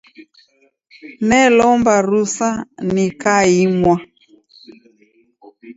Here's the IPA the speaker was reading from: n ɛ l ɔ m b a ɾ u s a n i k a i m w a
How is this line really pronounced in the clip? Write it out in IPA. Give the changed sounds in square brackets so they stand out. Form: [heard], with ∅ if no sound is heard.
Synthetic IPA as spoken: n ɛ l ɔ m b a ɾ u s a n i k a i m w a